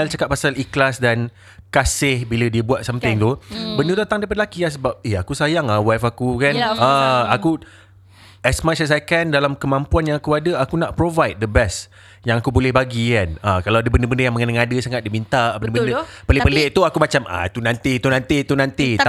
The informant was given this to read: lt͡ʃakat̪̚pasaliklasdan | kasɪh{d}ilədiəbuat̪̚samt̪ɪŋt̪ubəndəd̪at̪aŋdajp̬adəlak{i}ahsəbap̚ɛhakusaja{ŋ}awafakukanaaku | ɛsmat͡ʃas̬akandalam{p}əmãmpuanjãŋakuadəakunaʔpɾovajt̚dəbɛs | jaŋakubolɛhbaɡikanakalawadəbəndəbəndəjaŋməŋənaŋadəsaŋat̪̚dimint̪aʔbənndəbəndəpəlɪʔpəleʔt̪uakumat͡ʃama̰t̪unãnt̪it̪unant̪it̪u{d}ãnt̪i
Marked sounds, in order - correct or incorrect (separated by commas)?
incorrect, correct, correct, incorrect, incorrect